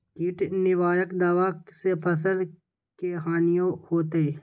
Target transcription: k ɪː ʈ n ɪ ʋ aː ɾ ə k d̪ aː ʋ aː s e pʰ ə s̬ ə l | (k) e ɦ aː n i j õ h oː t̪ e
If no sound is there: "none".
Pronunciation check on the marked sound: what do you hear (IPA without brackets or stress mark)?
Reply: k